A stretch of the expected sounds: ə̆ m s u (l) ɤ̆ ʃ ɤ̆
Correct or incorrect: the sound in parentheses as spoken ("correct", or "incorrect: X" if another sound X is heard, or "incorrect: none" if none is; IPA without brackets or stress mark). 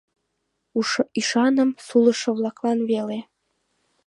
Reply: correct